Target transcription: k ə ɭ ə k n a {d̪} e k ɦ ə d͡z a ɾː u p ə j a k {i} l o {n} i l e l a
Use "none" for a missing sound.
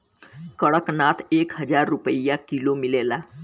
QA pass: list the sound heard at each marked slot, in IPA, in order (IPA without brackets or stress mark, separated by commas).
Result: t̪, i, m